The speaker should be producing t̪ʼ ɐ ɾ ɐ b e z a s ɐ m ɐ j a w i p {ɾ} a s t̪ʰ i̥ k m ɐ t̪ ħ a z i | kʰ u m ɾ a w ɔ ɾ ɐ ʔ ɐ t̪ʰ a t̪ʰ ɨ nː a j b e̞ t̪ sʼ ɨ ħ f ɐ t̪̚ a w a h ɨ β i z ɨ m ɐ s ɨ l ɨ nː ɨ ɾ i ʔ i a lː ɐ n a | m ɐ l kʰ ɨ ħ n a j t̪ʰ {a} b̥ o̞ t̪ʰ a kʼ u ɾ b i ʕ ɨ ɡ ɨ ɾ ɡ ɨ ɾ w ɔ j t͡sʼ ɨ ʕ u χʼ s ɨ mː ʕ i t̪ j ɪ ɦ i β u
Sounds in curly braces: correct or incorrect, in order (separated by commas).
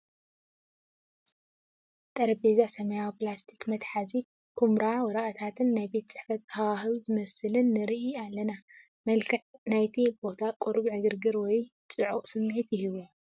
incorrect, incorrect